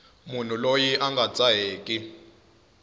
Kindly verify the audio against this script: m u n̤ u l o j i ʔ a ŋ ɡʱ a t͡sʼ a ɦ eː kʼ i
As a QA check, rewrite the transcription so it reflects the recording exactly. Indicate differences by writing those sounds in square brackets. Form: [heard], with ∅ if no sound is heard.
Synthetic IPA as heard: m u n̤ u l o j i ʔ a ŋ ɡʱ a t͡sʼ a ɦ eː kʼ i